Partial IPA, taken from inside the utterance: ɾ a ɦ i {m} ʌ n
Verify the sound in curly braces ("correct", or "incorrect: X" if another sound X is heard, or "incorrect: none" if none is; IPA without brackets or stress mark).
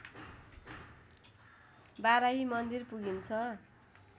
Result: correct